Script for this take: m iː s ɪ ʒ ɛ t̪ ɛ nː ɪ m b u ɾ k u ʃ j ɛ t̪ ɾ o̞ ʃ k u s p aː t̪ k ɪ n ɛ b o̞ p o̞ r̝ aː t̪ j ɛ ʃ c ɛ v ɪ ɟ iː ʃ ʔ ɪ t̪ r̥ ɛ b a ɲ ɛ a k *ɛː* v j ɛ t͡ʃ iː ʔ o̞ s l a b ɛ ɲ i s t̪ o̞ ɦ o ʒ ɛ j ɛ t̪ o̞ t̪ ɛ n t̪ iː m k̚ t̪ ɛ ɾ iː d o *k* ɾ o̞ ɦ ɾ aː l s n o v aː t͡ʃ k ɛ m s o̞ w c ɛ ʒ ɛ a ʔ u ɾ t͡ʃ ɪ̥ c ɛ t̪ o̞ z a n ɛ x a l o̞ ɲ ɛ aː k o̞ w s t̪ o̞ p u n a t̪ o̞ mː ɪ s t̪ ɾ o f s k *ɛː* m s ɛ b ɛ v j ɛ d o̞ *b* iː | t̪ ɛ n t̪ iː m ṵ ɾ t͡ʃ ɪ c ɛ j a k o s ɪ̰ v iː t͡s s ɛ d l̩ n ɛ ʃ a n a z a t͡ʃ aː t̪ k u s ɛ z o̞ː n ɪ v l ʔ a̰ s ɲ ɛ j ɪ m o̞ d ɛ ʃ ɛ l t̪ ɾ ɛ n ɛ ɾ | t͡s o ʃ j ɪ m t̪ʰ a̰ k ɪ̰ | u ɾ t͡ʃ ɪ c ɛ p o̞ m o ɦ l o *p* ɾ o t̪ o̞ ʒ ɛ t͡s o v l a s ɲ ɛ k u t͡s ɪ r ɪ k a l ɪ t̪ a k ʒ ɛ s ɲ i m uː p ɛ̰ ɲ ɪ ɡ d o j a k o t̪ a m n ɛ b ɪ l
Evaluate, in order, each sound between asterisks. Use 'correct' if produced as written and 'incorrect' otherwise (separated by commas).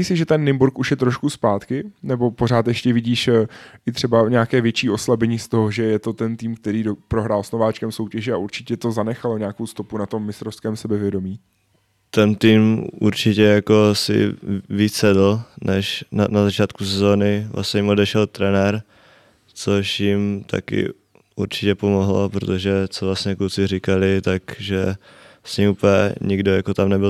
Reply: correct, incorrect, correct, incorrect, correct